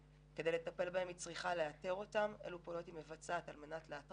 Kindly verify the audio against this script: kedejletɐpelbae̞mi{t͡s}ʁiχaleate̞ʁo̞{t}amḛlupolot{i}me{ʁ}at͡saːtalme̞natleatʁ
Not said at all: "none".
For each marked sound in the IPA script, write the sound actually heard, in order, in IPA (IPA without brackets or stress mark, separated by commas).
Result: t͡s, t, i, v